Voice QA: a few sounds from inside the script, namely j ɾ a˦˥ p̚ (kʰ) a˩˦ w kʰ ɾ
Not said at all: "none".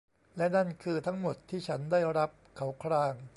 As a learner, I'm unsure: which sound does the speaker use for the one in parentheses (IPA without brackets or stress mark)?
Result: kʰ